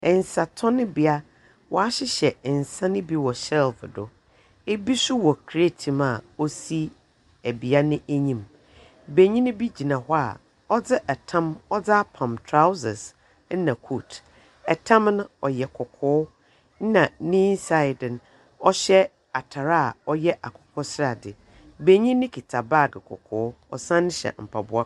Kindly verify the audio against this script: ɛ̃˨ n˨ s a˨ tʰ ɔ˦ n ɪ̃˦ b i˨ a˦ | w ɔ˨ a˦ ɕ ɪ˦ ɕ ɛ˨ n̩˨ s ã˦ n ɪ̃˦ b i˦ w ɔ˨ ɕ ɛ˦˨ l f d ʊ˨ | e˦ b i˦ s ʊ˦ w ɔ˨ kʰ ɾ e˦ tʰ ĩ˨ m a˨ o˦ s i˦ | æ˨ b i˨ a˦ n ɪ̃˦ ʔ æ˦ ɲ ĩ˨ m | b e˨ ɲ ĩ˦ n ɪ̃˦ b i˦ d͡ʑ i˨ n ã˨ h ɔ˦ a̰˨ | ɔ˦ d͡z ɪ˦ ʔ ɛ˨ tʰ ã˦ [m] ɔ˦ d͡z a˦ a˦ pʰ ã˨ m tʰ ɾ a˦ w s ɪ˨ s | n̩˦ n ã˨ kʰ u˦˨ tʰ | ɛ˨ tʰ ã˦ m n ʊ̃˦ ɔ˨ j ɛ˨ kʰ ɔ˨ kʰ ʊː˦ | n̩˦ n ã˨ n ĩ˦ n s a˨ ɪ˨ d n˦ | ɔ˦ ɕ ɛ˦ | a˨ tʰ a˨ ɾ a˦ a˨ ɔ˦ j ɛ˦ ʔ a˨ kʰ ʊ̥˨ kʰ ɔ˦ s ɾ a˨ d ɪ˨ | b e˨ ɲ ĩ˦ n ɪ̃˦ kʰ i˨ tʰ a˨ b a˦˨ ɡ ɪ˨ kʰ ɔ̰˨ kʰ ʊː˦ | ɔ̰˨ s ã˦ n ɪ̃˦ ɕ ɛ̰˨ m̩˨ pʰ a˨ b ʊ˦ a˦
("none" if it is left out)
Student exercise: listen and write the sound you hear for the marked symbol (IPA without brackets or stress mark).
m